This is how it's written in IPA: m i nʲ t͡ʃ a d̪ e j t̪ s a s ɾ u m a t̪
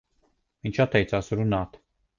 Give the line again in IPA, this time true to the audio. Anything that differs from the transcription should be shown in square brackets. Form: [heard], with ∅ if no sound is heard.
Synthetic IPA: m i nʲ t͡ʃ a [t̪] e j t̪ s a s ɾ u [n] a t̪